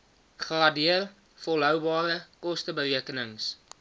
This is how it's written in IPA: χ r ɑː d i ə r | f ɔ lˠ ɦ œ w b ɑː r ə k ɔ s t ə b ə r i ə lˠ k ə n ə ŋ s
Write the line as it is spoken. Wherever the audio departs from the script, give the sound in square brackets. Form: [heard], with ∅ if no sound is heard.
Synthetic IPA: χ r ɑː d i ə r | f ɔ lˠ ɦ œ w b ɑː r ə k ɔ s t ə b ə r i ə [∅] k ə n ə ŋ s